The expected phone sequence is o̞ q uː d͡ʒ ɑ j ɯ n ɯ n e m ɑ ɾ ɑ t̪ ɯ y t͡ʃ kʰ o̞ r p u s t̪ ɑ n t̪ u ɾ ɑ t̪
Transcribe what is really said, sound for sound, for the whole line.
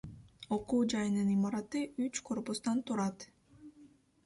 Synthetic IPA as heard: o̞ q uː d͡ʒ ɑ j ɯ n ɯ n i m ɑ ɾ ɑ t̪ ɯ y t͡ʃ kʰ o̞ r p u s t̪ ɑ n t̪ u ɾ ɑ t̪